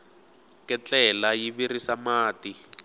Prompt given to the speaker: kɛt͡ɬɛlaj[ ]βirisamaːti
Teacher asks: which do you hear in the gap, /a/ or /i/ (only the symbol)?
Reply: i